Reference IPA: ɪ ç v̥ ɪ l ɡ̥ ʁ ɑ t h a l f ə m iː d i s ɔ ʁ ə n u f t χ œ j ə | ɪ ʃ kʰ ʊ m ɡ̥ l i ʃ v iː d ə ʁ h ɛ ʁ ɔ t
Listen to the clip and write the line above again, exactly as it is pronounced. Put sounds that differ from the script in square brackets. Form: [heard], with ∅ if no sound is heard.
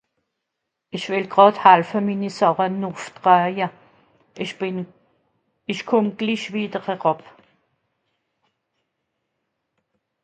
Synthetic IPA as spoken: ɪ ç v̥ ɪ l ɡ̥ ʁ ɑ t h a l f ə m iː [n] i s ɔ ʁ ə n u f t [ʁ] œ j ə | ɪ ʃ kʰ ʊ m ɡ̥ l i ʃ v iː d ə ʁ h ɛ ʁ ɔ [p]